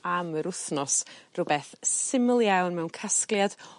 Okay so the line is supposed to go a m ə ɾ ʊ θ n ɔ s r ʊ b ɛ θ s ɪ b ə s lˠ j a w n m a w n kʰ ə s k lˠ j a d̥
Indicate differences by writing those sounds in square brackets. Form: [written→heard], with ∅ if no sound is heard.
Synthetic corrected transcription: a m ə ɾ ʊ θ n ɔ s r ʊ b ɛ θ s ɪ [b→m] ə [s→∅] lˠ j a w n m [a→ɛ] w n kʰ [ə→a] s k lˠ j a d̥